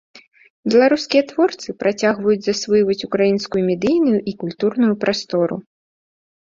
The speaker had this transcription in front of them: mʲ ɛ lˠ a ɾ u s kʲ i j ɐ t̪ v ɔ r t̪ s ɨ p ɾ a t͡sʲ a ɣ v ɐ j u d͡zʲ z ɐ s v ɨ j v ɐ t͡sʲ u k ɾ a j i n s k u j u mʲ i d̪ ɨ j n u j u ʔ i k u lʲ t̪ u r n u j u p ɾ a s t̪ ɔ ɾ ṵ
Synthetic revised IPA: bʲ ɛ lˠ a ɾ u s kʲ i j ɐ t̪ v ɔ r t̪ s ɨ p ɾ a t͡sʲ a ɣ v ɐ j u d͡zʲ z ɐ s v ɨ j v ɐ t͡sʲ u k ɾ a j i n s k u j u mʲ ɛ d̪ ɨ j n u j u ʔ i k u lʲ t̪ u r n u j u p ɾ a s t̪ ɔ ɾ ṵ